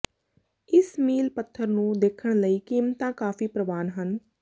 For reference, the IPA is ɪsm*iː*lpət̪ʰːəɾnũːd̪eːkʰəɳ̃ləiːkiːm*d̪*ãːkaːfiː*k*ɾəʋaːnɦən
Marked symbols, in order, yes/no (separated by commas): yes, no, no